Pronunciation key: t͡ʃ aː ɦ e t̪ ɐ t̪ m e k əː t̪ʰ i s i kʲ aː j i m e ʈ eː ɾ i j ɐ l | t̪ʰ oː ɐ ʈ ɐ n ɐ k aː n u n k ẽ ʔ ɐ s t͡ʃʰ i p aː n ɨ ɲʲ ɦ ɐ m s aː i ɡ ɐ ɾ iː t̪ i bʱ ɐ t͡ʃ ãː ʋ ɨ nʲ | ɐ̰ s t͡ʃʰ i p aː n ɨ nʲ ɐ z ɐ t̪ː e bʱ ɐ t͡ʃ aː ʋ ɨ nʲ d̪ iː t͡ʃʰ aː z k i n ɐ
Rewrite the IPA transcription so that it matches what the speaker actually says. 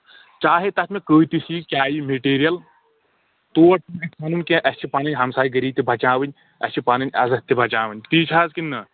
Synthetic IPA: t͡ʃ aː ɦ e t̪ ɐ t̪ m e k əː t̪ i s i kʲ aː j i m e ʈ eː ɾ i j ɐ l | t̪ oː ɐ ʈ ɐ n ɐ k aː n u n k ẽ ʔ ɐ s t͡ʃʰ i p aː n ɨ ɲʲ ɦ ɐ m s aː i ɡ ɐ ɾ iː t̪ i bʱ ɐ t͡ʃ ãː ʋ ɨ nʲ | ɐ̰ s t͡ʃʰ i p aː n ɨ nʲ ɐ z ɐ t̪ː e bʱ ɐ t͡ʃ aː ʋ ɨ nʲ t̪ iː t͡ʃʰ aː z k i n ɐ

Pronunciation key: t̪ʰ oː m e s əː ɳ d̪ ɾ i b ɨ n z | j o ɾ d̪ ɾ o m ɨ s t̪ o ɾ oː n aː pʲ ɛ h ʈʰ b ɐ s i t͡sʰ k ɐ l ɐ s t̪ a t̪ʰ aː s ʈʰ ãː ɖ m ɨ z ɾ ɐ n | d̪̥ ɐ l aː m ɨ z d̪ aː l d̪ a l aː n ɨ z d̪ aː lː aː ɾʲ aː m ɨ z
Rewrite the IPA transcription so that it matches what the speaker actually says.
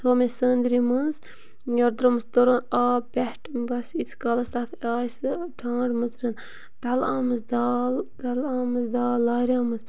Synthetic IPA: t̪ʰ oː m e s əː n d̪ ɾ i m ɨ n z | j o ɾ d̪ ɾ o m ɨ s t̪ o ɾ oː n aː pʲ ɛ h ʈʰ b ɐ s i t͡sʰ k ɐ l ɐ s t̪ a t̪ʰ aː s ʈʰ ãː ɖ m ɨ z ɾ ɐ n | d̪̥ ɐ l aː m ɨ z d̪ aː l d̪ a l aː m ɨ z d̪ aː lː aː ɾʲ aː m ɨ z

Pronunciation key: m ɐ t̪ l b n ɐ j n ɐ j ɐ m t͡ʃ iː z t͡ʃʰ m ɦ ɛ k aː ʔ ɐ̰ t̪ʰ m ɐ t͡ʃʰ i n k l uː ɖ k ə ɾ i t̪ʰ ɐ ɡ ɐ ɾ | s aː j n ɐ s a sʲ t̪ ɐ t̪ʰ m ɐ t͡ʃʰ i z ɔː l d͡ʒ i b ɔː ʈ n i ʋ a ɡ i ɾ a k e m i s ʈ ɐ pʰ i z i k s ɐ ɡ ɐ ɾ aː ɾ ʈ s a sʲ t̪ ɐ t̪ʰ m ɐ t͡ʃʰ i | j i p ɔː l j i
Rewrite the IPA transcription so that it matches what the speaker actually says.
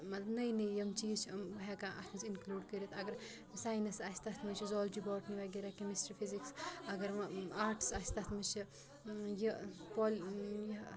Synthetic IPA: m ɐ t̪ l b n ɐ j n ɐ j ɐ m t͡ʃ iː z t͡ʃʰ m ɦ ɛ k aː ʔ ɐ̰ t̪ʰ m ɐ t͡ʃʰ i n k l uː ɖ k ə ɾ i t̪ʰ ɐ ɡ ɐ ɾ | s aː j n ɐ s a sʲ t̪ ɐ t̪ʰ m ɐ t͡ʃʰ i z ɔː l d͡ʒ i b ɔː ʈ n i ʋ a ɡ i ɾ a k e m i s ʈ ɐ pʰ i z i k s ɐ ɡ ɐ ɾ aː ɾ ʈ s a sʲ t̪ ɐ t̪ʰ m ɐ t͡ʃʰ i | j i p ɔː l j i

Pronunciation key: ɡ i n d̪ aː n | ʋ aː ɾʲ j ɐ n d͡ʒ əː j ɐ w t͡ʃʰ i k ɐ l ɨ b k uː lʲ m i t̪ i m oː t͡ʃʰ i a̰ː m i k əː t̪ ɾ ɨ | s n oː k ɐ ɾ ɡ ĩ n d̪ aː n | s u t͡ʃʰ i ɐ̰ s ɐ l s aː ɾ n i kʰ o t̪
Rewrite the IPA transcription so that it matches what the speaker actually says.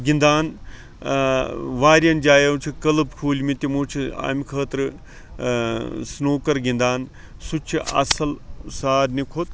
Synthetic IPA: ɡ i n d̪ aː n | ʋ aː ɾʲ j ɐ n d͡ʒ aː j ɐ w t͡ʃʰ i k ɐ l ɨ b kʰ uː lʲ m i t̪ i m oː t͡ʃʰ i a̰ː m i kʰ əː t̪ ɾ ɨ | s n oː k ɐ ɾ ɡ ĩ n d̪ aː n | s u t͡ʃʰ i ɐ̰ s ɐ l s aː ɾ n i kʰ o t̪

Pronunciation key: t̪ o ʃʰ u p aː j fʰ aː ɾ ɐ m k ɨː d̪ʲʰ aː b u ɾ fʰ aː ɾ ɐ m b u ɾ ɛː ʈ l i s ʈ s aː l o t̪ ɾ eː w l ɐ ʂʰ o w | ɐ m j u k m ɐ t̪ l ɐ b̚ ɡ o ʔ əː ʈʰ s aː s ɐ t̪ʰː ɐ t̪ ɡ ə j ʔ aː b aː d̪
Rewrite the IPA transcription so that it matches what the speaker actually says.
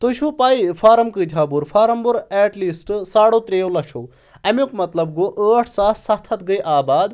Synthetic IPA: t̪ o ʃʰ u p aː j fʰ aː ɾ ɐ m k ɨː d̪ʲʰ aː b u ɾ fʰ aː ɾ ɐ m b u ɾ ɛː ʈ l i s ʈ s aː ɽ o t̪ ɾ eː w l ɐ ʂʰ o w | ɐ m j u k m ɐ t̪ l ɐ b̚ ɡ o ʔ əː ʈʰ s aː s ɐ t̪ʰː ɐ t̪ ɡ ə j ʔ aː b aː d̪

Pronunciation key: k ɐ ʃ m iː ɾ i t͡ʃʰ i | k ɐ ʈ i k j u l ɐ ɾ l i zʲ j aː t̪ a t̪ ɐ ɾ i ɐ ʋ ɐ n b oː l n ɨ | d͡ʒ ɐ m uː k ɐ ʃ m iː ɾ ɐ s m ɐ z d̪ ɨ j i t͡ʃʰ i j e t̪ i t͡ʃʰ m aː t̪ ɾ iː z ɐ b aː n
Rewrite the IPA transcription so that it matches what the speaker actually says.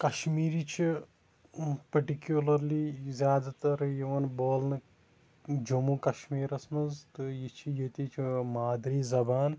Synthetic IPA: k ɐ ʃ m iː ɾ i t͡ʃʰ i | p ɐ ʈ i k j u l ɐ ɾ l i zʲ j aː d̪ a t̪ ɐ ɾ j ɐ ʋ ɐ n b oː l n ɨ | d͡ʒ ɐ m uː k ɐ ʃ m iː ɾ ɐ s m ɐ z t̪ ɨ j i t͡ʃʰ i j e t̪ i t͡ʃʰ m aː d̪ ɾ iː z ɐ b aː n

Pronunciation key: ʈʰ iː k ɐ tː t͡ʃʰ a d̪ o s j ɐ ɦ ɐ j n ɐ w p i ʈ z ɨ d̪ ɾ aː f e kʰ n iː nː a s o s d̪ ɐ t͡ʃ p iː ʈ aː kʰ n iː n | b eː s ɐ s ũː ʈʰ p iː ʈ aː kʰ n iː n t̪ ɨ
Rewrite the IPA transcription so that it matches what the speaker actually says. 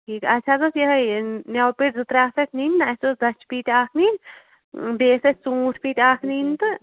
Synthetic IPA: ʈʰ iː k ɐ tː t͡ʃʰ a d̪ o s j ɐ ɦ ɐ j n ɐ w p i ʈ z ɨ t̪ ɾ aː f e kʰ n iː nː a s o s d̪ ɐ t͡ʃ p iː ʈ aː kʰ n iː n | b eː s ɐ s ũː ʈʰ p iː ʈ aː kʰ n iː n t̪ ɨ

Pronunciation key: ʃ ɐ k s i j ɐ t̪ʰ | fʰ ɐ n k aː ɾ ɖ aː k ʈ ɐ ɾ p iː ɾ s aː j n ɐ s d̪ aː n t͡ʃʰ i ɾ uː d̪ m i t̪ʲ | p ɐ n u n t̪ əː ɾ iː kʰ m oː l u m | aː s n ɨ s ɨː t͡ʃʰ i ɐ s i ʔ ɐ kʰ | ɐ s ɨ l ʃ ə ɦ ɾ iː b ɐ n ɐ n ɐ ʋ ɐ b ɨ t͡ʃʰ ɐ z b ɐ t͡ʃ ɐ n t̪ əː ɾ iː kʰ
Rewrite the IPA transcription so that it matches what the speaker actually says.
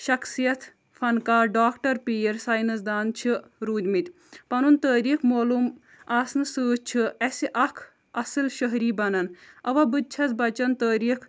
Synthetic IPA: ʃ ɐ k s i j ɐ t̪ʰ | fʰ ɐ n k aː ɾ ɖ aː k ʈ ɐ ɾ p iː ɾ s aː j n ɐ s d̪ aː n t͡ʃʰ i ɾ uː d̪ m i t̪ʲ | p ɐ n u n t̪ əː ɾ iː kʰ m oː l u m | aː s n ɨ s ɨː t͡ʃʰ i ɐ s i ʔ ɐ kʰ | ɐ s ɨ l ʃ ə ɦ ɾ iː b ɐ n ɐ n ɐ ʋ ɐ b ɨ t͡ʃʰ ɐ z b ɐ t͡ʃ ɐ n t̪ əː ɾ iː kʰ

